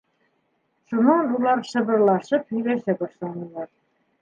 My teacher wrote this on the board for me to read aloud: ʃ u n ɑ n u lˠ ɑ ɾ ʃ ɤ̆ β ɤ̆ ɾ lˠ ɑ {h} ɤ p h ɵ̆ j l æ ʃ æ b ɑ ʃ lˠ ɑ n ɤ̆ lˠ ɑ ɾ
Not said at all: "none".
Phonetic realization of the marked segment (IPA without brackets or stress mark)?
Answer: ʃ